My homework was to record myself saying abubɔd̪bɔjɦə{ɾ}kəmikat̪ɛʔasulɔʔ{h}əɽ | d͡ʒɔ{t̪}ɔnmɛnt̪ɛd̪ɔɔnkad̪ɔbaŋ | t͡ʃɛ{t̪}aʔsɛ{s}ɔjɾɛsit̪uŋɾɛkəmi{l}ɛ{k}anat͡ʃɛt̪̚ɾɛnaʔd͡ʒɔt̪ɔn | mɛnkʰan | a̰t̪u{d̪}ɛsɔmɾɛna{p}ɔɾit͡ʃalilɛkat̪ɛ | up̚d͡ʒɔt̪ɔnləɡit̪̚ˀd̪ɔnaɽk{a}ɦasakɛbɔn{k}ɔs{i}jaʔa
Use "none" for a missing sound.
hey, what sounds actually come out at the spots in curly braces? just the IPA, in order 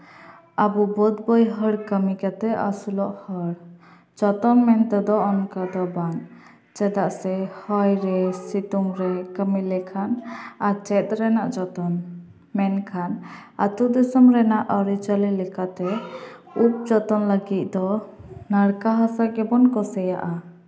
ɽ, h, t̪, d̪, h, l, kʰ, d̪, ʔ, a, k, ɛ

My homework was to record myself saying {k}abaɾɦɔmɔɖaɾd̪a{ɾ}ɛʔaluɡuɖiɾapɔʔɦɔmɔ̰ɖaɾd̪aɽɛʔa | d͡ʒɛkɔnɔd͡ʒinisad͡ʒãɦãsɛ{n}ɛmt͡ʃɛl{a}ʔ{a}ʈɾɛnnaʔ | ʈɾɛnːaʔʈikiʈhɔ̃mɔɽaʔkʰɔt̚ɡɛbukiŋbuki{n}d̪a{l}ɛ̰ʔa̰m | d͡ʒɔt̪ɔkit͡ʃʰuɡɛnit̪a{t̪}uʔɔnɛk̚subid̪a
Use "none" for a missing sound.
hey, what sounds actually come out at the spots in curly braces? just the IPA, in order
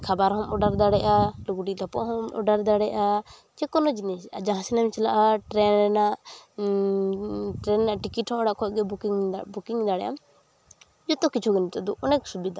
kʰ, ɽ, n, a, a, ŋ, ɽ, d̪

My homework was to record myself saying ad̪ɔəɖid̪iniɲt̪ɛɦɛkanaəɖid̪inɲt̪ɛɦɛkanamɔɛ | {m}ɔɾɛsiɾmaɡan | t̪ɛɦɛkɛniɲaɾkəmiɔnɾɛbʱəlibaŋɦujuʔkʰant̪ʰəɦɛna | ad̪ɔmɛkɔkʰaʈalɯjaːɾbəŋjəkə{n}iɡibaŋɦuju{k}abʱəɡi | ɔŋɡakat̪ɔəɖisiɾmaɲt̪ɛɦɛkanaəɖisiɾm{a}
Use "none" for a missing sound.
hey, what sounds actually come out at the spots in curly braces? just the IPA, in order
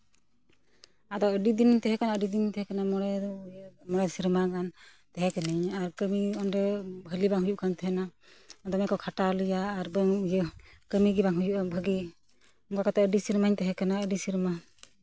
m, m, ʔ, a

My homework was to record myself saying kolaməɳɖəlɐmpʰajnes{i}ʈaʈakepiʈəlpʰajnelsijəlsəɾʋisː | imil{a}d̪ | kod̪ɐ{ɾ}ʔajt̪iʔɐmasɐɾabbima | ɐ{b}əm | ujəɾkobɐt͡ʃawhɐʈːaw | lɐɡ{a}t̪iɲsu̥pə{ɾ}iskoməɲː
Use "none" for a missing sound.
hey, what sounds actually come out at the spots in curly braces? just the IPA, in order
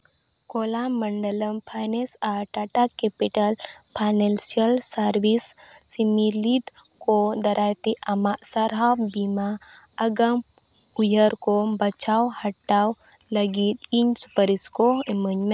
a, i, ɾ, ɡ, i, ɾ

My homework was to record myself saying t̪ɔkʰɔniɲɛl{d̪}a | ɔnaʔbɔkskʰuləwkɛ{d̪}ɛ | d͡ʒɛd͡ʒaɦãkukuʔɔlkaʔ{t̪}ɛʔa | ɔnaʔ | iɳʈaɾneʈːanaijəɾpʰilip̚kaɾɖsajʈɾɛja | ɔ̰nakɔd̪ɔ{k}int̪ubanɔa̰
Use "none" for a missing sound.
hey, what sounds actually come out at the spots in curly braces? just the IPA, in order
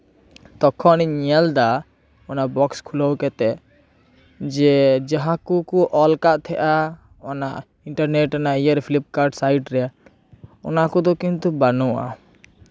d̪, t̪, t̪ʰ, k

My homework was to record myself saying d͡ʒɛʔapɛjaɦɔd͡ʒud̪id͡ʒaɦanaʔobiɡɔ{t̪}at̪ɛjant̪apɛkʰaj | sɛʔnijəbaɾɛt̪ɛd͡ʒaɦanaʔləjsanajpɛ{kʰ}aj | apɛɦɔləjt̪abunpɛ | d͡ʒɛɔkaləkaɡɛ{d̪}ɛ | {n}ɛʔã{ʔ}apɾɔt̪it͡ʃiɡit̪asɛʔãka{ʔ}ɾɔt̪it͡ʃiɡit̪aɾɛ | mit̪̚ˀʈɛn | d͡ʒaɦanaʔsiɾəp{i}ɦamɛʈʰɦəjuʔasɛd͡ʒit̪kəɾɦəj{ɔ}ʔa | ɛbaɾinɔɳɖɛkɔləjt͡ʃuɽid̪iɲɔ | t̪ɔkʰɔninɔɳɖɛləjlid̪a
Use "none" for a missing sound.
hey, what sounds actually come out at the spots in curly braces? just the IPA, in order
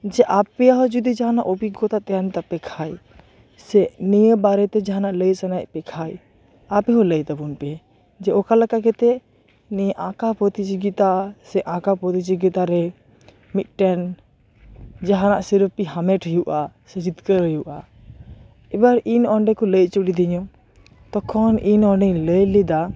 t̪, kʰ, t̪, n, k, p, i, u

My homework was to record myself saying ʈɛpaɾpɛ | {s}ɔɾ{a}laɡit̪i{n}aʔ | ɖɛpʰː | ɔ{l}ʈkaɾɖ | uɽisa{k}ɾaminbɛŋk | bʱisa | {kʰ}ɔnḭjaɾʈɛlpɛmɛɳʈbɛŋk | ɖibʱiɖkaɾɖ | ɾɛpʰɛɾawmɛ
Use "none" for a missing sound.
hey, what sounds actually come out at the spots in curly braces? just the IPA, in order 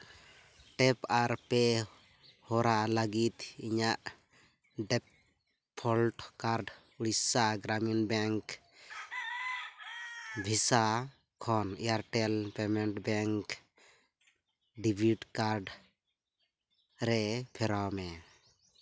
h, a, ɲ, l, ɡ, kʰ

